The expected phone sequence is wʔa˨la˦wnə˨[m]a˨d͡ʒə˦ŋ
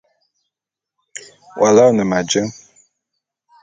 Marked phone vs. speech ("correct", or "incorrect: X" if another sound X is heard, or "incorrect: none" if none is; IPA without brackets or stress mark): correct